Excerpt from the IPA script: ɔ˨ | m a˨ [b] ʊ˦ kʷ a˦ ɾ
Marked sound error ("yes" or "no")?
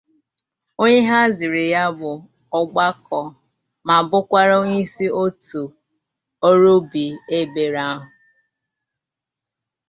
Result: no